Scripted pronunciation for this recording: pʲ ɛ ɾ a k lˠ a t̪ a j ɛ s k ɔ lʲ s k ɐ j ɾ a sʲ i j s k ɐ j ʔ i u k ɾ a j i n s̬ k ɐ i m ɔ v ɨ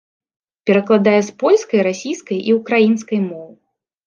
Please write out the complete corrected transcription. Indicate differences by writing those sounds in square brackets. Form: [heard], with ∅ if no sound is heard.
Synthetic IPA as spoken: pʲ ɛ ɾ [ɐ] k lˠ a [d̪] a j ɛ s [p] ɔ lʲ s k ɐ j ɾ a sʲ i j s k ɐ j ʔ i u k ɾ a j i n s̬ k ɐ [j] m ɔ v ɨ